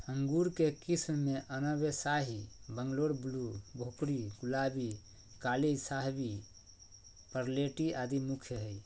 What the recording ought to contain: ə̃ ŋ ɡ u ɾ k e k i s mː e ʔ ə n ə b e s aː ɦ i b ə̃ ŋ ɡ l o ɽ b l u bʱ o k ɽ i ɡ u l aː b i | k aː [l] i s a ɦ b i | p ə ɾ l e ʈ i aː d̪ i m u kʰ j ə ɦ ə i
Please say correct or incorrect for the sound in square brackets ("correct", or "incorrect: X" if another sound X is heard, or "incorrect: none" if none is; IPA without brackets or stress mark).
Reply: correct